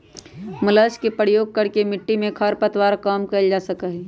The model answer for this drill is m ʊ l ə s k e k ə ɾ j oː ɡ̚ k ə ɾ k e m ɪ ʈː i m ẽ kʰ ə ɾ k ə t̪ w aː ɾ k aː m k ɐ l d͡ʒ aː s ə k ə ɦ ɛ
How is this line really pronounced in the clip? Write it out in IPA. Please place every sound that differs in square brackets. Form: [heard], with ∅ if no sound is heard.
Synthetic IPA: m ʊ l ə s k e [p] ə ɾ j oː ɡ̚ k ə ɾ k e m ɪ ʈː i m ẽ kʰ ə ɾ [p] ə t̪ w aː ɾ k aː m k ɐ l d͡ʒ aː s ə k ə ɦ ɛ